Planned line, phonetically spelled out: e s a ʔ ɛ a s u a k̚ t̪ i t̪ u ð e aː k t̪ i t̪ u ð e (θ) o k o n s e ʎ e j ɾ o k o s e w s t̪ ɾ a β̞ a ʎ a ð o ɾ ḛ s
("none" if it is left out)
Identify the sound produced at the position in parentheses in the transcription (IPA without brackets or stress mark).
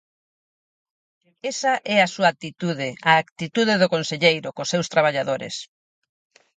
ð